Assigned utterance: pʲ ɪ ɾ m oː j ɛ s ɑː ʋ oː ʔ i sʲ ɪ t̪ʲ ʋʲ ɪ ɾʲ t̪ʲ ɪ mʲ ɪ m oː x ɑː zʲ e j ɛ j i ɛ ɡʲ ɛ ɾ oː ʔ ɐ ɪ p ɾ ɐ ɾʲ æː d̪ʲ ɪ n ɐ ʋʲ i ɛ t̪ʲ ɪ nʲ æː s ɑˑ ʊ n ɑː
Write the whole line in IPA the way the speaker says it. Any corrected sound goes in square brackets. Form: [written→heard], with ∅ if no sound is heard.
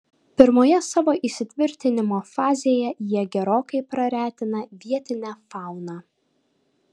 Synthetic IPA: pʲ ɪ ɾ m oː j ɛ s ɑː ʋ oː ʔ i sʲ ɪ t̪ʲ ʋʲ ɪ ɾʲ t̪ʲ ɪ [mʲ→nʲ] ɪ m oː [x→f] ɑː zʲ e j ɛ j i ɛ ɡʲ ɛ ɾ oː [ʔ→k] ɐ ɪ p ɾ ɐ ɾʲ æː [d̪ʲ→t̪ʲ] ɪ n ɐ ʋʲ i ɛ t̪ʲ ɪ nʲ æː [s→f] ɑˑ ʊ n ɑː